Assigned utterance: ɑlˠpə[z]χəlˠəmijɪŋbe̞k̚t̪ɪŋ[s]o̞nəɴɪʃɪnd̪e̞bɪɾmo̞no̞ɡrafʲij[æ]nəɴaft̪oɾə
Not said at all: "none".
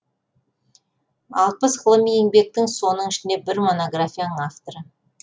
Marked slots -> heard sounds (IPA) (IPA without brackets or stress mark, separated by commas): s, s, a